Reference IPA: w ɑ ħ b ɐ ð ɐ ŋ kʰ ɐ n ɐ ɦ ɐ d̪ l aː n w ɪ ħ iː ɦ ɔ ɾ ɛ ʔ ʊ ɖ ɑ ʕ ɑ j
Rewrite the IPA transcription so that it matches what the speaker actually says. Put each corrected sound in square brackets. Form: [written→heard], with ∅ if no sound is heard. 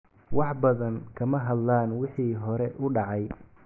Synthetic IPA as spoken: w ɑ ħ b ɐ ð ɐ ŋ kʰ ɐ [n→m] ɐ ɦ ɐ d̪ l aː n w ɪ ħ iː ɦ ɔ ɾ ɛ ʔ ʊ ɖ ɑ ʕ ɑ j